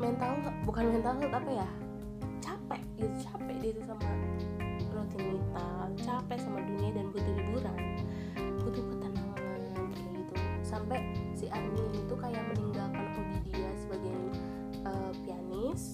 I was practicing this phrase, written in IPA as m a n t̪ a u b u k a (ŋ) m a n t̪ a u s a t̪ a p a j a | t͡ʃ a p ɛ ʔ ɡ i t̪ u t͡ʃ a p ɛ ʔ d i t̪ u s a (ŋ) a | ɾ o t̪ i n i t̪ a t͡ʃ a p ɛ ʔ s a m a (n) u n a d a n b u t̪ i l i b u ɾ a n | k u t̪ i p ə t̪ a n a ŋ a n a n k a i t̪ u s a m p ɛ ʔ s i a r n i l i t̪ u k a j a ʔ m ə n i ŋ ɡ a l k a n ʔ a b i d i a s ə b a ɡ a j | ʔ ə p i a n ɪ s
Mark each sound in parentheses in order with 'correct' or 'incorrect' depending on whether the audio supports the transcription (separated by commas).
incorrect, incorrect, incorrect